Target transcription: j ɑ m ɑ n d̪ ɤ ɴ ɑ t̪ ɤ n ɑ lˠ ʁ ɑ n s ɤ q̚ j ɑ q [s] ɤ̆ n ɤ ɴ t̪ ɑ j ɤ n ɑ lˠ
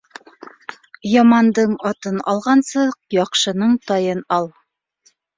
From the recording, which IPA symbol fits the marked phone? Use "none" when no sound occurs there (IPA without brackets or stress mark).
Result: ʃ